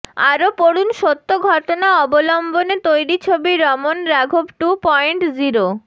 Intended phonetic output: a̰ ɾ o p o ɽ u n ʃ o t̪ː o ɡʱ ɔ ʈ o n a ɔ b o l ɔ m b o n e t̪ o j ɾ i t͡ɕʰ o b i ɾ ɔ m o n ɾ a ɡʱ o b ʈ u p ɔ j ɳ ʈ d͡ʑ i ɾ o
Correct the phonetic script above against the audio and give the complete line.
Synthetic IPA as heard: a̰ ɾ o p o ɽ u n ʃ o t̪ː o ɡʱ ɔ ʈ o n a ɔ b o l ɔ m b o n e t̪ o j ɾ i t͡ɕʰ o b i ɾ ɔ m o n ɾ a ɡʱ o b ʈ u p ɔ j ɳ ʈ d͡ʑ i ɾ o